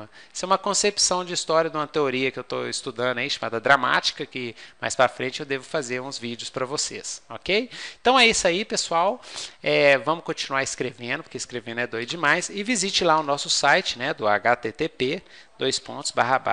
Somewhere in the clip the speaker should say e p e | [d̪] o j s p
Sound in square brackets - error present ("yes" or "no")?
no